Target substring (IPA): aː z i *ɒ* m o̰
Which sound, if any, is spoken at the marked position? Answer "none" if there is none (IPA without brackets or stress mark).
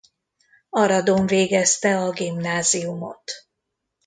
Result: u